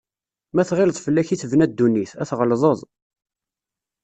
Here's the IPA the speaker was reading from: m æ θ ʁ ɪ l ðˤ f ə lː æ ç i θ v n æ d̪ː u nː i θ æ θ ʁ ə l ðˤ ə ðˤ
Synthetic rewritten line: m æ θ ʁ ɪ l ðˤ f ə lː æ ç i θ v n æ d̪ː u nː i θ æ θ ʁ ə l ðˤ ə ðˤ